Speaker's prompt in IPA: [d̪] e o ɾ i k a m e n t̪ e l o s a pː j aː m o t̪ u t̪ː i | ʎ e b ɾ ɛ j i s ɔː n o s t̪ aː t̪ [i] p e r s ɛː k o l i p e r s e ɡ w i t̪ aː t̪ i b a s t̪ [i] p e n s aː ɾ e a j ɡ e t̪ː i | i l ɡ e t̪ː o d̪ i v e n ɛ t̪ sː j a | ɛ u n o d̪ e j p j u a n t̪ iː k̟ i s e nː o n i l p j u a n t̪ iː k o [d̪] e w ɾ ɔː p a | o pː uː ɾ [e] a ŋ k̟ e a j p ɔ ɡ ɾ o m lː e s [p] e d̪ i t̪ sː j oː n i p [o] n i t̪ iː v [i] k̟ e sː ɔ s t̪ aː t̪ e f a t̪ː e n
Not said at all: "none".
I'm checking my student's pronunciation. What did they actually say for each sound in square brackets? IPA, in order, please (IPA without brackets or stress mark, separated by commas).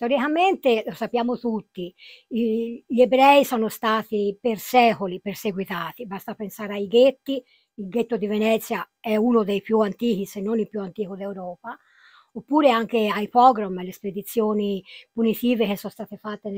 t̪, i, a, d̪, e, p, u, e